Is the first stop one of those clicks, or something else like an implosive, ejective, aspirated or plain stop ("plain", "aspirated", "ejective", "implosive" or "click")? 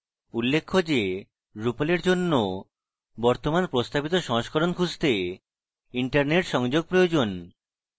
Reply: aspirated